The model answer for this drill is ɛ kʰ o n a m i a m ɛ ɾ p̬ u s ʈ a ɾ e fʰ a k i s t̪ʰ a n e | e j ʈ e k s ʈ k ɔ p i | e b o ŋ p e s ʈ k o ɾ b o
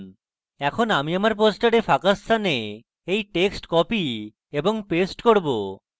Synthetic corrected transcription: ɛ kʰ o n a m i a m a ɾ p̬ o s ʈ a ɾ e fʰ a k a s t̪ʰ a n e | e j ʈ e k s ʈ k ɔ p i | e b o ŋ p e s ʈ k o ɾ b o